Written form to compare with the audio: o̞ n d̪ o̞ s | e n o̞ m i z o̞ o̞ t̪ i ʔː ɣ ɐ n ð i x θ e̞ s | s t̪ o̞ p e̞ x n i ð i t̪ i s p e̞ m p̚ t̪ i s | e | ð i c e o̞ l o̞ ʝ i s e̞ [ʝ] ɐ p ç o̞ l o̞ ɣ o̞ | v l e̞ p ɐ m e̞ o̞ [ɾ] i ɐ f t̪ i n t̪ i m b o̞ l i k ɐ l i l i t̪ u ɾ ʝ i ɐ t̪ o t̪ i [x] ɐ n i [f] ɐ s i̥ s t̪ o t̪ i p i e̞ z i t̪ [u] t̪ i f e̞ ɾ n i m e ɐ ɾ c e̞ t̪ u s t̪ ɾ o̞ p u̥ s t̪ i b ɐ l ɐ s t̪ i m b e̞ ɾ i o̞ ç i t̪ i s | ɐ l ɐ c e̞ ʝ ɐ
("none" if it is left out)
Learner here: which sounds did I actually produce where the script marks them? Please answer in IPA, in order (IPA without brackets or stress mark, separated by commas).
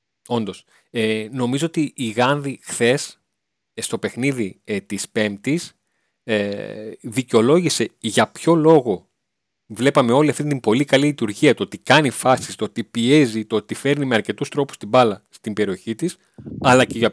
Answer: ʝ, l, k, f, o